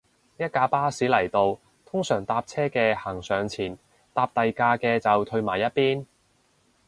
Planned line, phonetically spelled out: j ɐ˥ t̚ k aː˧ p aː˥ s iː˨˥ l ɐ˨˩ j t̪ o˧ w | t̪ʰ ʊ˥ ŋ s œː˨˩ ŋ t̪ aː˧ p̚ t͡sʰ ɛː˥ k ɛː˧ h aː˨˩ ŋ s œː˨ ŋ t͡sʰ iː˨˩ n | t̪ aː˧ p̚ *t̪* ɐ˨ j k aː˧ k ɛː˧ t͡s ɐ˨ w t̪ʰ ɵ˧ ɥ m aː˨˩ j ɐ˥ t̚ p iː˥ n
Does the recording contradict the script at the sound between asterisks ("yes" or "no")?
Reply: no